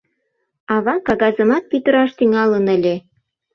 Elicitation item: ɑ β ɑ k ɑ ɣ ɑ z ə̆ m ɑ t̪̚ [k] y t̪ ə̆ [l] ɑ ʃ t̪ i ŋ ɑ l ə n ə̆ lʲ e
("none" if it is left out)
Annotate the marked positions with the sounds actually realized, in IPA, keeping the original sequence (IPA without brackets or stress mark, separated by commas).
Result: p, ɾ